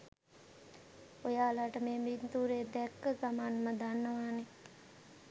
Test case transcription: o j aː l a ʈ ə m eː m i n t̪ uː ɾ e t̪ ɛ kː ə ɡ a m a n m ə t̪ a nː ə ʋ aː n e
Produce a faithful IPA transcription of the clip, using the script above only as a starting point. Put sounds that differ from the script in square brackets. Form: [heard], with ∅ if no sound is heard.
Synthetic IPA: o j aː l a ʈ ə m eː m i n t̪ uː ɾ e [d̪] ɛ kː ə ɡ a m a n m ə [d̪] a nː ə ʋ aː n e